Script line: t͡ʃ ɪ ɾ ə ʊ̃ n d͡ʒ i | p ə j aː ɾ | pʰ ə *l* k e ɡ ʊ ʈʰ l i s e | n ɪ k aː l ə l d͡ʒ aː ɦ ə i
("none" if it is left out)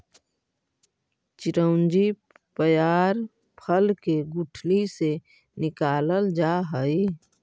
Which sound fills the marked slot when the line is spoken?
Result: l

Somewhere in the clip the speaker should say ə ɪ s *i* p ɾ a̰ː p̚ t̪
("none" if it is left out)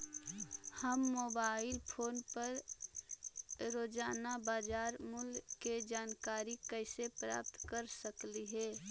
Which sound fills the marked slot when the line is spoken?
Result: e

